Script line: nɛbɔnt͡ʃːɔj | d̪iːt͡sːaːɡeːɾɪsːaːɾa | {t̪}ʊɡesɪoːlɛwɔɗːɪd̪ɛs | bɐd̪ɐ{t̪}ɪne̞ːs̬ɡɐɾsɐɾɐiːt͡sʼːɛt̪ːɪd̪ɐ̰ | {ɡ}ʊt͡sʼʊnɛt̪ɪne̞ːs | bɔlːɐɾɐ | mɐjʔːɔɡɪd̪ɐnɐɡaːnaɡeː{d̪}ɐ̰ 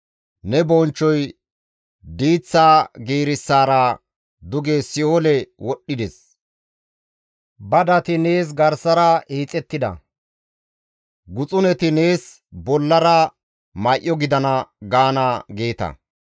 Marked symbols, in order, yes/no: no, yes, yes, no

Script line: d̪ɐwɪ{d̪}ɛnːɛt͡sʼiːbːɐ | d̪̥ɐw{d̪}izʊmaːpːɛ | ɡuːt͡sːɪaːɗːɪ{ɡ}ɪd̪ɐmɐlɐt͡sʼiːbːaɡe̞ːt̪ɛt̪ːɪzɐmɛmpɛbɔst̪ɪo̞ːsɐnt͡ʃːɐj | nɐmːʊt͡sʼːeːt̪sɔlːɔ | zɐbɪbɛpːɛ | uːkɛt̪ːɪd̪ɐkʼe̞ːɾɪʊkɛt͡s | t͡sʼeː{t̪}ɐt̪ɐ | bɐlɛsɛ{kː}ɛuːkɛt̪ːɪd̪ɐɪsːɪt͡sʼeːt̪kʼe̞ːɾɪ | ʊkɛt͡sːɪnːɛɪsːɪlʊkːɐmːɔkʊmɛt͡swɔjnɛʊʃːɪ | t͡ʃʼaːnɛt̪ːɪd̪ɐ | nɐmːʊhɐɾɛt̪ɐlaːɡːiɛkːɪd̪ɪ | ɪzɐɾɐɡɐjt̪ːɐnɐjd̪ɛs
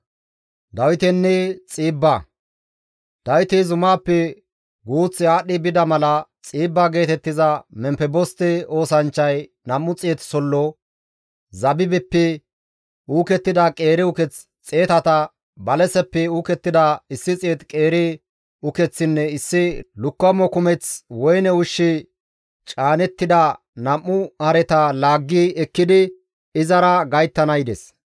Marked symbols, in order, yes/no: no, no, no, yes, no

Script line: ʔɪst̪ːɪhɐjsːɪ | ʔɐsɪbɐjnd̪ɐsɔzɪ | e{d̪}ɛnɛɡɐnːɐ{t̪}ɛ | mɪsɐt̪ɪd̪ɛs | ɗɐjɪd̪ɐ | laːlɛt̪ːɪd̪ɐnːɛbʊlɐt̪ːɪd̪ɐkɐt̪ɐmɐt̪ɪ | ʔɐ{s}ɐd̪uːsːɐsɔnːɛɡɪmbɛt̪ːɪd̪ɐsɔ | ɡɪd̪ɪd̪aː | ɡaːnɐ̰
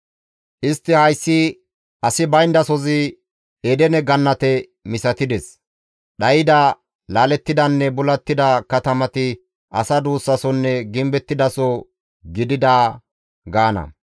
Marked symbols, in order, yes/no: yes, yes, yes

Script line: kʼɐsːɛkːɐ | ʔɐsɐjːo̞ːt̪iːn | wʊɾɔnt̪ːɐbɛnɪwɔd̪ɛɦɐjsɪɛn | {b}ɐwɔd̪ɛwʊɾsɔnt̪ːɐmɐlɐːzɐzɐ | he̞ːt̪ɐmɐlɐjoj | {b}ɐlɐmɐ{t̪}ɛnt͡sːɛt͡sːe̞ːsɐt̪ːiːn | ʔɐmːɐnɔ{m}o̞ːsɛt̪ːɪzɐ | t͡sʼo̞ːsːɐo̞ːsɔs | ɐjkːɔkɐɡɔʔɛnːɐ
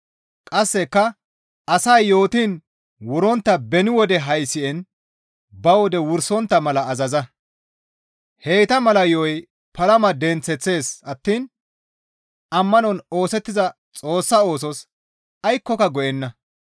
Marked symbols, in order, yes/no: yes, no, no, no

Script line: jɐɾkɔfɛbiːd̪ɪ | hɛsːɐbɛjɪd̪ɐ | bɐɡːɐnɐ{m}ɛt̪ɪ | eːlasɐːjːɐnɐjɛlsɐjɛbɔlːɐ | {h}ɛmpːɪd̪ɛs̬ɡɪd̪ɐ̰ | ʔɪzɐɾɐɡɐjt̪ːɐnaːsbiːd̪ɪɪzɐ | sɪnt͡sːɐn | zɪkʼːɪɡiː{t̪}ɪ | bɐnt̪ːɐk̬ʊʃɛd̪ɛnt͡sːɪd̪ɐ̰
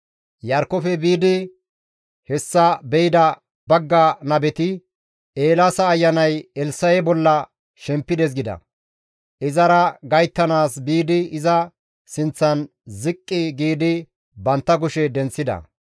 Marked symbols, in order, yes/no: no, no, no

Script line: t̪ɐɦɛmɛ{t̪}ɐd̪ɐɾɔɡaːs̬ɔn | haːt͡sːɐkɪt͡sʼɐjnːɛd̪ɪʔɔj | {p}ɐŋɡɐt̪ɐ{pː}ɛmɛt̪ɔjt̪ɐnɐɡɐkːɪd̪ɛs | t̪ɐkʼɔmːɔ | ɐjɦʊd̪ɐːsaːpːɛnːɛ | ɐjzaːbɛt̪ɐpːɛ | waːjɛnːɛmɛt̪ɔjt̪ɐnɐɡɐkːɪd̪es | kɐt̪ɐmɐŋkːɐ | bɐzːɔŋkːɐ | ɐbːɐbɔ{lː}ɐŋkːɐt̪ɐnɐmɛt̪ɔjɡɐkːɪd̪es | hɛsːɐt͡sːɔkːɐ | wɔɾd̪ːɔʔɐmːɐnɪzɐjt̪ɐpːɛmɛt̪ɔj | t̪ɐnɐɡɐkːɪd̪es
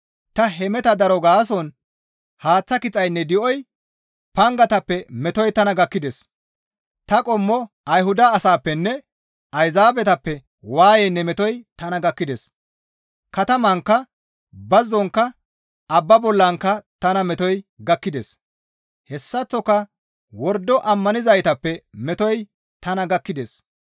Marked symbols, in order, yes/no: yes, yes, yes, yes

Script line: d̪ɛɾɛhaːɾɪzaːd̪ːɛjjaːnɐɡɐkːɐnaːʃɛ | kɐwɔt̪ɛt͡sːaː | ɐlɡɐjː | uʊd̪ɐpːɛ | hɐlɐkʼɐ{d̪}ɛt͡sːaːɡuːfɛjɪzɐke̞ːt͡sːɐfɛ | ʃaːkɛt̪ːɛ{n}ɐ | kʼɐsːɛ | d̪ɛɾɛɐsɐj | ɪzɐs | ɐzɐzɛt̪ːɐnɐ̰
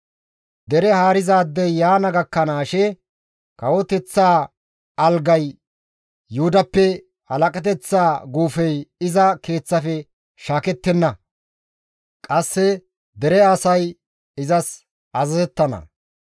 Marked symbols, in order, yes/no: no, no

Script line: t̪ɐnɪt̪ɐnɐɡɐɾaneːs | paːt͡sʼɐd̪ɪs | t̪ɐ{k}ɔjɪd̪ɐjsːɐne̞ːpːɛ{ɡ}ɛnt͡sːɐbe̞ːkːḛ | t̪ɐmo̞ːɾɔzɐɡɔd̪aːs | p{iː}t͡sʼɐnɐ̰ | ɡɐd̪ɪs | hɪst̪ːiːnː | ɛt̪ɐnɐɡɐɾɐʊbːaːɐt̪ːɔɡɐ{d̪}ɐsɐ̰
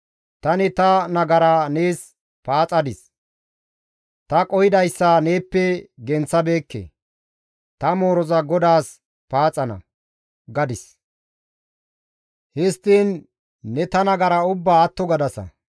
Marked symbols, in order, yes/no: no, yes, no, yes

